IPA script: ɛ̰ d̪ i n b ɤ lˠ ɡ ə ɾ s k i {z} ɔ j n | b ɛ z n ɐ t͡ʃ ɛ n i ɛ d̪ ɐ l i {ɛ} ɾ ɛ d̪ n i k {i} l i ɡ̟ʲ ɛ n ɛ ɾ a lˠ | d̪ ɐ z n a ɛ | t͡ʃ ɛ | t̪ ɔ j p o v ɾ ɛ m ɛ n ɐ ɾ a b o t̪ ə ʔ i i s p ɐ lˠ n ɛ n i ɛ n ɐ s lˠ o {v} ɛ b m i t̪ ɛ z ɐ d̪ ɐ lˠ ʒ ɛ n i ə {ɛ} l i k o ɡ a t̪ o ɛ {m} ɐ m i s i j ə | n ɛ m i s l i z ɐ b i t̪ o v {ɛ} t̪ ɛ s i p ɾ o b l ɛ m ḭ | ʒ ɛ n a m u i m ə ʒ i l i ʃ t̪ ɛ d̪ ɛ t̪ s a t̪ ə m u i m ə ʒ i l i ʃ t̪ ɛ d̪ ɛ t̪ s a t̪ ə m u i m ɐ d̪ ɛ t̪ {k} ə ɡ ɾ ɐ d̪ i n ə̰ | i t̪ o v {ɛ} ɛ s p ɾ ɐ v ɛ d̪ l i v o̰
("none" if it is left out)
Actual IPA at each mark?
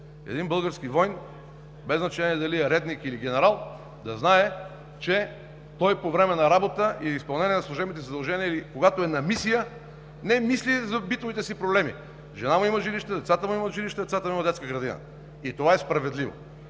v, ɛ, i, ʒ, i, n, i, k, a

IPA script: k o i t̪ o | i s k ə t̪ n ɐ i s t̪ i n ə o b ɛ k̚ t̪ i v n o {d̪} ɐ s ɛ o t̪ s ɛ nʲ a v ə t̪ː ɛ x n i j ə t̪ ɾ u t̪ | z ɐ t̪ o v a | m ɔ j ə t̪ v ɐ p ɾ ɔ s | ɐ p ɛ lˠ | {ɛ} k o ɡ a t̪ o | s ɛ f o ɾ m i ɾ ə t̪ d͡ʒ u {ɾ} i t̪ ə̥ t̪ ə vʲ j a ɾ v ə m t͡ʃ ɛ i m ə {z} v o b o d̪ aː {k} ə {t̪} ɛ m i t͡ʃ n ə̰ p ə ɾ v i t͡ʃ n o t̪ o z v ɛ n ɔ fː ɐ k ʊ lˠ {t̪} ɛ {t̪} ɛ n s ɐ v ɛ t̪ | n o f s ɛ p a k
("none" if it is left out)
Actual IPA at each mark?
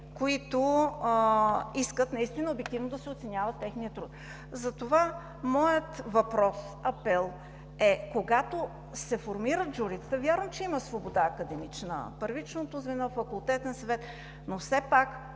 d̪, ɛ, ɾ, s, k, d̪, t̪, t̪

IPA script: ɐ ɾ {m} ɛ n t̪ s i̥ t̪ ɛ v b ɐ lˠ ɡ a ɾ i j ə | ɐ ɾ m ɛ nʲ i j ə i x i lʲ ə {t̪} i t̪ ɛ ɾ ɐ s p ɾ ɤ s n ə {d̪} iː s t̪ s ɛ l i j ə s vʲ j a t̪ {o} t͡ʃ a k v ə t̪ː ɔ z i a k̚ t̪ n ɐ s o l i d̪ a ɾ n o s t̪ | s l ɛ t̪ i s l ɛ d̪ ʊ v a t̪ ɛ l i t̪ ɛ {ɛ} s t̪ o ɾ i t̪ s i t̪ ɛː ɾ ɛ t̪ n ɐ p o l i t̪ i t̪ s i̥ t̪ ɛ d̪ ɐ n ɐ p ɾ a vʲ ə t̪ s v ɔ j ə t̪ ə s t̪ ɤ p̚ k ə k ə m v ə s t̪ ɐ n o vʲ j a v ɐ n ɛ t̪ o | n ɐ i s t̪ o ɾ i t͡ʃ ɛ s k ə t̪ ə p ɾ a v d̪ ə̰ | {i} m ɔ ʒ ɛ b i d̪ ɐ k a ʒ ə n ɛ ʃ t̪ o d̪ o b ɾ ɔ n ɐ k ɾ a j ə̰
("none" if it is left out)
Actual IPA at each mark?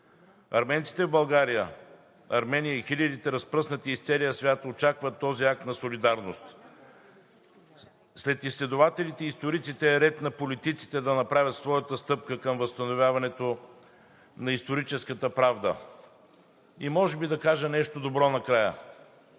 m, d̪, t̪, o, i, i

